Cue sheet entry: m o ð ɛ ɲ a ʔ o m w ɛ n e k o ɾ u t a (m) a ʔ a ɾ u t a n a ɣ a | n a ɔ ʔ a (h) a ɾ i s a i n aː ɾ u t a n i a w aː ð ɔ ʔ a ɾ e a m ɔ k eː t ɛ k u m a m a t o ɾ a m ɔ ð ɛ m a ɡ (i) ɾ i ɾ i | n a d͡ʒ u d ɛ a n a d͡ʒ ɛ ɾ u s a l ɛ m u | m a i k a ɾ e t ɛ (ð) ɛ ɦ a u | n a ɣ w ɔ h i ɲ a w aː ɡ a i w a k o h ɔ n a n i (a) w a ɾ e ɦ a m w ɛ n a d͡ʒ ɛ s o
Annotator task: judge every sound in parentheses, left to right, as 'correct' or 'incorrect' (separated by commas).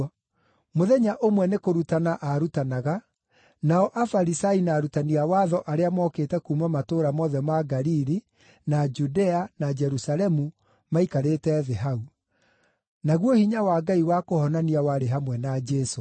incorrect, incorrect, incorrect, correct, correct